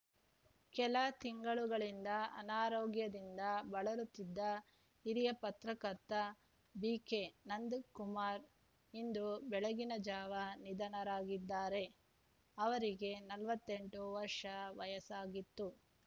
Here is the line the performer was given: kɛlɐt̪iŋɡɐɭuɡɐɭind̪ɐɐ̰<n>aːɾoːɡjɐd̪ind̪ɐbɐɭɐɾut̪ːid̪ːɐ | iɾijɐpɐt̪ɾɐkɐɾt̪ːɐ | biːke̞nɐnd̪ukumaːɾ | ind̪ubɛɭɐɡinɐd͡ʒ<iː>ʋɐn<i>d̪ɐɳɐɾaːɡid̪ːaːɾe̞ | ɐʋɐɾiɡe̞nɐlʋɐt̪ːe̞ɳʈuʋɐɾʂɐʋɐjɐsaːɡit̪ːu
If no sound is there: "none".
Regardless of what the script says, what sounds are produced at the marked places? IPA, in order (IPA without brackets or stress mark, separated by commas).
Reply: n, aː, i